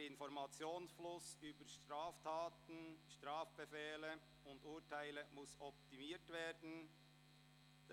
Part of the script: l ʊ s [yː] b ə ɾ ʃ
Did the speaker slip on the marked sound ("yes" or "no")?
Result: no